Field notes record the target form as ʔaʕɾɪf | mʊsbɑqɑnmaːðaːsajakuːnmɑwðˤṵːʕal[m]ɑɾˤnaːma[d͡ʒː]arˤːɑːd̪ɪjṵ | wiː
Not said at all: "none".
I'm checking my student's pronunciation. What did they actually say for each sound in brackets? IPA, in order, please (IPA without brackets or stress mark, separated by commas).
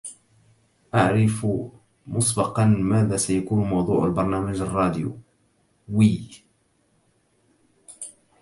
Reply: b, d͡ʒ